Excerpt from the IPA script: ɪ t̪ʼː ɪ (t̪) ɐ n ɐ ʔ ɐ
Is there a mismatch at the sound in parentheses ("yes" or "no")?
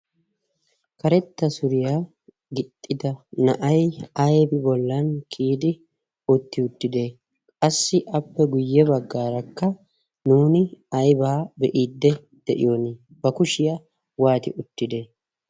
yes